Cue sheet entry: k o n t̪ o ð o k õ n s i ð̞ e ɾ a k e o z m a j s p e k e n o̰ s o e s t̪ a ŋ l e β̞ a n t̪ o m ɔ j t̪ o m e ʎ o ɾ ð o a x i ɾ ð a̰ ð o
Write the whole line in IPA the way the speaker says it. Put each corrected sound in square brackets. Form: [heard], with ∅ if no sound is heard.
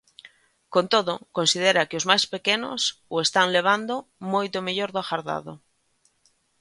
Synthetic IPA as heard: k o n t̪ o ð o k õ n s i ð̞ e ɾ a k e o z m a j s p e k e n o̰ s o e s t̪ a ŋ l e β̞ a n [d̪] o m [o] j t̪ o m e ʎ o ɾ ð o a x [a] ɾ ð a̰ ð o